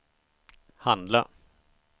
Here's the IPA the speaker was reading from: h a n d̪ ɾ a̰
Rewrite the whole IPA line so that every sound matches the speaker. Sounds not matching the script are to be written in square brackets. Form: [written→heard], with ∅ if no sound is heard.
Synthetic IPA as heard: h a n d̪ [ɾ→l] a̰